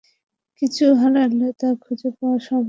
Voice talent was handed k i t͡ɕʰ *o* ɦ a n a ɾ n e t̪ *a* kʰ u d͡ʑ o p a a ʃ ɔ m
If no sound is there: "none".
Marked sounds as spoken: u, a

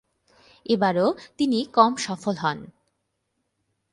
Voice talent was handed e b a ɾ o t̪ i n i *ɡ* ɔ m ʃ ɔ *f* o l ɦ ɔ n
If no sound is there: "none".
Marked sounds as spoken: k, f

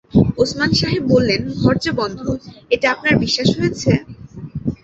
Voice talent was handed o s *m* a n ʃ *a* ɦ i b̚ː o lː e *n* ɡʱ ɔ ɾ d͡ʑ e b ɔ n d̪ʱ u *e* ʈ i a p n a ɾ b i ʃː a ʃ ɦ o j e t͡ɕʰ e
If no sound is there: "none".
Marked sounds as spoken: m, a, n, e

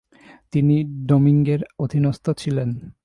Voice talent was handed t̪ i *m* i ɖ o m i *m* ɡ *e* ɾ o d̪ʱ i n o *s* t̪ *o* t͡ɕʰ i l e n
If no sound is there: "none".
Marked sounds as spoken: n, ŋ, e, s, o

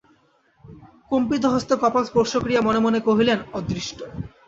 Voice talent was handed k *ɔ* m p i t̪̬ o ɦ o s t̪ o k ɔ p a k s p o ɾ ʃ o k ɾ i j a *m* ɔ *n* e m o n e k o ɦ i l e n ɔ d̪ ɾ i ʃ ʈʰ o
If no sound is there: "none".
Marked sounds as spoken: o, m, n

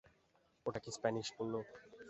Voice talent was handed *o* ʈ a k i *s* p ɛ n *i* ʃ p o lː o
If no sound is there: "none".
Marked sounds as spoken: o, s, i

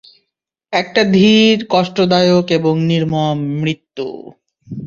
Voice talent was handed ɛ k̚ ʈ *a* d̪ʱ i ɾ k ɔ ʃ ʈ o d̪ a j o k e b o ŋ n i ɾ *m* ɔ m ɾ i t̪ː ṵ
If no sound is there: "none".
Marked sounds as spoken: a, m

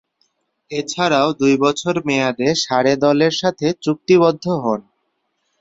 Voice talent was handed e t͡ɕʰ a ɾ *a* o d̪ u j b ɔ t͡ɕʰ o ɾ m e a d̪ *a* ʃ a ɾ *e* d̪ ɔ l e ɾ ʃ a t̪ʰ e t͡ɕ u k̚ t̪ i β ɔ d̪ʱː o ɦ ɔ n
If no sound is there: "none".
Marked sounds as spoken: a, e, e

